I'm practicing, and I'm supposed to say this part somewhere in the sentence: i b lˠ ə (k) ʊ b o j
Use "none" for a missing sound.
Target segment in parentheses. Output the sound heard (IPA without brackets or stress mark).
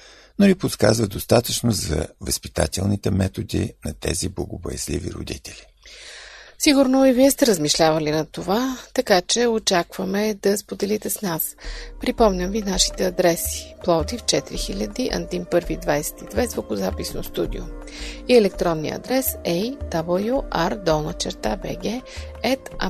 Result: ɡ